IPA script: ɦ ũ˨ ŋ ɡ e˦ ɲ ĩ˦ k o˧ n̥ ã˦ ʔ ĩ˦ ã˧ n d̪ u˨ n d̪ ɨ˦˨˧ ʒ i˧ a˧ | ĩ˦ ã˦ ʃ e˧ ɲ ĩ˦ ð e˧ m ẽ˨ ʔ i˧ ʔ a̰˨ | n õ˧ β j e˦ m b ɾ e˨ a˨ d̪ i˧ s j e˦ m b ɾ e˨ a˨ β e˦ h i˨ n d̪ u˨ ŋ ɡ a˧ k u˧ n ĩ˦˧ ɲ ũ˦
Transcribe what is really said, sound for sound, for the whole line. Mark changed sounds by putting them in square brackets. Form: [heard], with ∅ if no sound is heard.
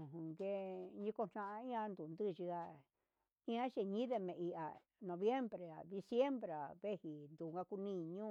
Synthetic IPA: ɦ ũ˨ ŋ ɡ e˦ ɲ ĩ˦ k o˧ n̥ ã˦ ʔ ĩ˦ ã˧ n d̪ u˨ n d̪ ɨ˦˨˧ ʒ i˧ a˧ | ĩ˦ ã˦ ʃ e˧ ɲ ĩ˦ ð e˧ m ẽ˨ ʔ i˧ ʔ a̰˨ | n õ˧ β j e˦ m b ɾ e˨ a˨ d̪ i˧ s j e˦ m b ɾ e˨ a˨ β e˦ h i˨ n d̪ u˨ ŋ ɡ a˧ k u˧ n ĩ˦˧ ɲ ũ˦